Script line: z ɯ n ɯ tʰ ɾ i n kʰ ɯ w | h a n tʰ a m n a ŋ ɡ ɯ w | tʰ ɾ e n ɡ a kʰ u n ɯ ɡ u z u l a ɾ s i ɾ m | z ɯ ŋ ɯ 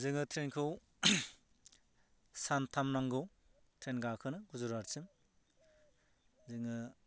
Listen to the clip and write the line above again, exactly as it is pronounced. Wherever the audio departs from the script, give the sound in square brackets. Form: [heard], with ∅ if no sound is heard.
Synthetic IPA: z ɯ [ŋ] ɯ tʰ ɾ [e] n kʰ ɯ w | [s] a n tʰ a m n a ŋ ɡ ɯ w | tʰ ɾ e n ɡ a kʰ [ɯ] n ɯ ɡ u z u [ɾ] a ɾ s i [∅] m | z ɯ ŋ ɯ